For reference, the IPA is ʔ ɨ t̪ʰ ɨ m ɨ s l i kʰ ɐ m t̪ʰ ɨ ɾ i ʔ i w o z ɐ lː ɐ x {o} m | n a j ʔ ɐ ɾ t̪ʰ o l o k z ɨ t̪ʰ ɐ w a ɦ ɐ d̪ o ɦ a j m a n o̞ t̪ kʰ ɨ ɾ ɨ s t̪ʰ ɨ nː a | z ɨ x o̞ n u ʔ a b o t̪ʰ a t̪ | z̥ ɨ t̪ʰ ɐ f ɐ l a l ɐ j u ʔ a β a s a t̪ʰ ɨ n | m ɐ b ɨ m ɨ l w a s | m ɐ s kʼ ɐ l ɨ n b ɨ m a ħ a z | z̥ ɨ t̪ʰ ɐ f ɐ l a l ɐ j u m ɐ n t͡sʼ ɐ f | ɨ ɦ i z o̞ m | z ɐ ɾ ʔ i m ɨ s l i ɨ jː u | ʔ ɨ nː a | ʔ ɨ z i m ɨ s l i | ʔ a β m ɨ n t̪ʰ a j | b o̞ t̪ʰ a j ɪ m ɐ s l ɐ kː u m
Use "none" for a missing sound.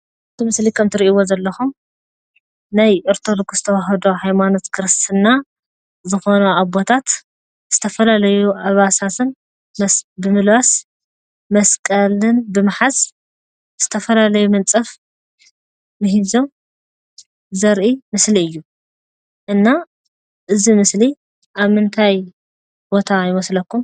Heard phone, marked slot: u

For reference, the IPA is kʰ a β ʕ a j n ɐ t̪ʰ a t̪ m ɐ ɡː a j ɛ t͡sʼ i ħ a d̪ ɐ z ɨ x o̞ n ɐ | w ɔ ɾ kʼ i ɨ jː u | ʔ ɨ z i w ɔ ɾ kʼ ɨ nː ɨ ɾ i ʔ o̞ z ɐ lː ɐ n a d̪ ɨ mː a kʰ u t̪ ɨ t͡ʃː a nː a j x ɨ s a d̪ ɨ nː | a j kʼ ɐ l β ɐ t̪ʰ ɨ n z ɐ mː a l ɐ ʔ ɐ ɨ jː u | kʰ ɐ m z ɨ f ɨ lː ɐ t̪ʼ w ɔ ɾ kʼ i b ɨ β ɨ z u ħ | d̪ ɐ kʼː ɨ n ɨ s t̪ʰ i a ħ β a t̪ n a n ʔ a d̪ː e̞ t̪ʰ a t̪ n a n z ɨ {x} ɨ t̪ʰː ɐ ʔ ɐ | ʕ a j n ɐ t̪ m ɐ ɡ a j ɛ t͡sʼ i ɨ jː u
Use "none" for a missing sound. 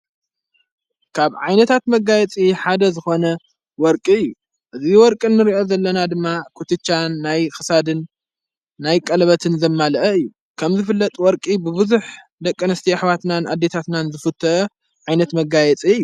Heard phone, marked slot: f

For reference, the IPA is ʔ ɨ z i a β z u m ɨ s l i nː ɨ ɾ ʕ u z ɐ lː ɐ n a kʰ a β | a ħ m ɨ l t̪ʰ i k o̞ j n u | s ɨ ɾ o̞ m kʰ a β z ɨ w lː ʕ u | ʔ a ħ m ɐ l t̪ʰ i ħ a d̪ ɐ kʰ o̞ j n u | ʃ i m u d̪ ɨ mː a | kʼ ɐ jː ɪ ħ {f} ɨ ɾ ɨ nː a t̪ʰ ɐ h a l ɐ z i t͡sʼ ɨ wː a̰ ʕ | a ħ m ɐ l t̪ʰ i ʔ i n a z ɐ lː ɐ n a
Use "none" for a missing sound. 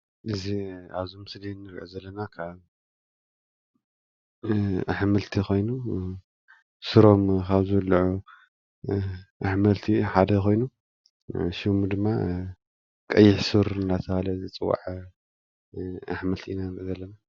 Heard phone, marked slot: s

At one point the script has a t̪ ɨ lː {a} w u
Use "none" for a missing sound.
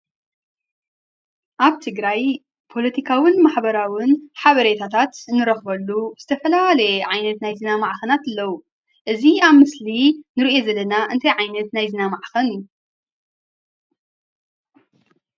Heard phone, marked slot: ɐ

